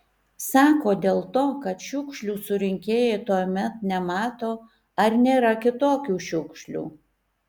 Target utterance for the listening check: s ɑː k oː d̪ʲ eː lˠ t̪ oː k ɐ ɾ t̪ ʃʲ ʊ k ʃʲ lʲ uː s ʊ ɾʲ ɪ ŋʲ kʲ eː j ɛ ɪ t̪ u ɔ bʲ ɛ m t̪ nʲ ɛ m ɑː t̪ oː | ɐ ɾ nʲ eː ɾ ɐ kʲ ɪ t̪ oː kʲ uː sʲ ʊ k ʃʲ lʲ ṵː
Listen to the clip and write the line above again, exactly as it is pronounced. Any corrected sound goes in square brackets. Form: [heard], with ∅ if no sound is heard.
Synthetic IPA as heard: s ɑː k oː d̪ʲ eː lˠ t̪ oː k ɐ [∅] t̪ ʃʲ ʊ k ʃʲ lʲ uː s ʊ ɾʲ ɪ ŋʲ kʲ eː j ɛ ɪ t̪ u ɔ [mʲ] ɛ [∅] t̪ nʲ ɛ m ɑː t̪ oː | ɐ ɾ nʲ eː ɾ ɐ kʲ ɪ t̪ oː kʲ uː [ʃʲ] ʊ k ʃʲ lʲ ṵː